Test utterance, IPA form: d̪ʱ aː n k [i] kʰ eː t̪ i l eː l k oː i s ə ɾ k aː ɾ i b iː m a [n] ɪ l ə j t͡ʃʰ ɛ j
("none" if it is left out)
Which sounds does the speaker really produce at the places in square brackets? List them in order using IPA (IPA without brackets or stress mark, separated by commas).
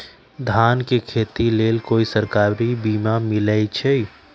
e, m